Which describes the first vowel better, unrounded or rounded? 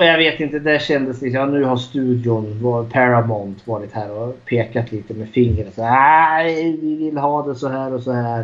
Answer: rounded